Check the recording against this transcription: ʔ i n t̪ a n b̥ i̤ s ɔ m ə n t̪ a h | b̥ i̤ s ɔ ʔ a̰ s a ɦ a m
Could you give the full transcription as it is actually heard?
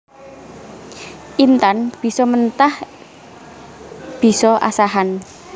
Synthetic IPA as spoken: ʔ i n t̪ a n b̥ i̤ s ɔ m ə n t̪ a h | b̥ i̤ s ɔ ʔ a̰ s a ɦ a n

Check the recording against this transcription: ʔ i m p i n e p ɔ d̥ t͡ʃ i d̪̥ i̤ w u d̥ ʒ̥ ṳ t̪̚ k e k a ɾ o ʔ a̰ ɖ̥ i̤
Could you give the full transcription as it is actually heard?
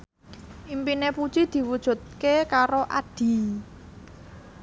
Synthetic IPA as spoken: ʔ i m p i n e p u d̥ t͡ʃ i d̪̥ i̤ w u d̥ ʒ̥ ṳ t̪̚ k e k a ɾ o ʔ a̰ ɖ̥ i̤

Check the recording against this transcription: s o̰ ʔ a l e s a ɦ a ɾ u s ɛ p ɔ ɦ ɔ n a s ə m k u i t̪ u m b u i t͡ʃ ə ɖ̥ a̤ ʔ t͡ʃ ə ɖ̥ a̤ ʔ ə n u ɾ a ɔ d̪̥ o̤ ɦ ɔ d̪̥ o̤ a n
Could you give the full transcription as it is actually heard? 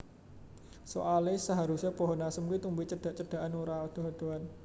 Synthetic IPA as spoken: s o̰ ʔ a l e s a ɦ a ɾ u s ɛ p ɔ ɦ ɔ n a s ə m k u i t̪ u m b u i t͡ʃ ə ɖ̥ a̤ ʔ t͡ʃ ə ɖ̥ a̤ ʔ a n u ɾ a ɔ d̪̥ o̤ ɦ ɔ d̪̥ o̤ a n

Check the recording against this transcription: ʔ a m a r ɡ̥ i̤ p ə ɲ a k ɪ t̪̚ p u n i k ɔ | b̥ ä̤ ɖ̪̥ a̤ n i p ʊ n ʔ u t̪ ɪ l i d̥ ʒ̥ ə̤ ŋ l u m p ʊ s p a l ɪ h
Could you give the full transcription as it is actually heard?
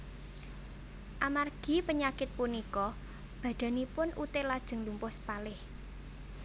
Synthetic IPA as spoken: ʔ a m a r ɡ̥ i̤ p ə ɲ a k ɪ t̪̚ p u n i k ɔ | b̥ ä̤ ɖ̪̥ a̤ n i p ʊ n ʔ u t̪ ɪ l a d̥ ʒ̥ ə̤ ŋ l u m p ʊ s p a l ɪ h

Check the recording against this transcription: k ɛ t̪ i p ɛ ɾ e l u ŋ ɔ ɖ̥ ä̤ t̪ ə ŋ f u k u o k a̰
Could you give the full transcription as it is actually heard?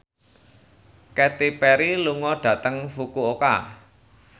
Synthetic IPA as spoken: k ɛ t̪ i p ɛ ɾ i l u ŋ ɔ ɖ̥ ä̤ t̪ ə ŋ f u k u o k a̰

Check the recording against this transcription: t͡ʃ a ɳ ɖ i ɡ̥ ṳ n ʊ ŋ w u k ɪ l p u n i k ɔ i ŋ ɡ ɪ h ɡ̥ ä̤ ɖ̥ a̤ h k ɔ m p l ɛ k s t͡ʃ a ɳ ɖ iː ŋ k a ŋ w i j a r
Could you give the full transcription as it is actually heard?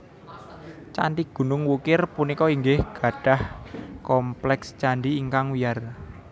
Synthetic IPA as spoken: t͡ʃ a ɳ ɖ i ɡ̥ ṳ n ʊ ŋ w u k ɪ r p u n i k ɔ i ŋ ɡ ɪ h ɡ̥ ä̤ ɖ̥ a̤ h k ɔ m p l ɛ k s t͡ʃ a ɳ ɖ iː ŋ k a ŋ w i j a r

